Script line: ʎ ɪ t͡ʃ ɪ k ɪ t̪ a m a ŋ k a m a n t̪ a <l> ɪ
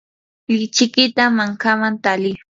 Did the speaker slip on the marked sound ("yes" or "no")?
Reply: no